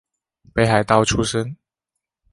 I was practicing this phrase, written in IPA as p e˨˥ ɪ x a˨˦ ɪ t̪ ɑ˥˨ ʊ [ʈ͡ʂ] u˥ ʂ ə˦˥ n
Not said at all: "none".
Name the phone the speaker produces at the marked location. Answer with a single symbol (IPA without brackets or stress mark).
ʈ͡ʂʰ